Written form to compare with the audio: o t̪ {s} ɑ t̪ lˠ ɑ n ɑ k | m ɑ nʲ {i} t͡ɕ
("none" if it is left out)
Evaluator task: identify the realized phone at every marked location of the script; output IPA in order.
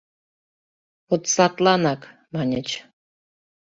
s, e

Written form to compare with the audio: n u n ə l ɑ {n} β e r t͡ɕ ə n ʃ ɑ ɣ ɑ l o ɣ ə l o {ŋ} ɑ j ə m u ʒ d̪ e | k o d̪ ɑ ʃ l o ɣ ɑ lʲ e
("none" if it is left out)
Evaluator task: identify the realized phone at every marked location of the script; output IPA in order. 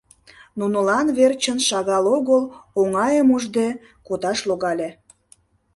n, ŋ

